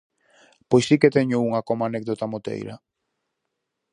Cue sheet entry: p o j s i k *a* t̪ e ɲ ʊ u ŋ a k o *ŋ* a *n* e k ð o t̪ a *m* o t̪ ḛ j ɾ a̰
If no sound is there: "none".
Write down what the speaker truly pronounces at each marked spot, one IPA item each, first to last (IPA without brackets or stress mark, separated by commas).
e, m, n, m